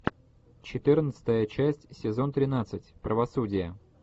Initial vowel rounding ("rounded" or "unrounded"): unrounded